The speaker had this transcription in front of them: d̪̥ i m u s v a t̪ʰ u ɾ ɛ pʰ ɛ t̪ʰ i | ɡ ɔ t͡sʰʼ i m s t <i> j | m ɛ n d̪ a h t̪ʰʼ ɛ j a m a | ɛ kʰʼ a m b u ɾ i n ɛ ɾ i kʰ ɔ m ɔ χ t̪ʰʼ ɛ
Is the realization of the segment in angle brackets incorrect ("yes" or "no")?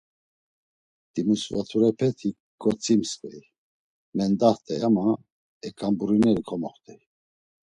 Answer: yes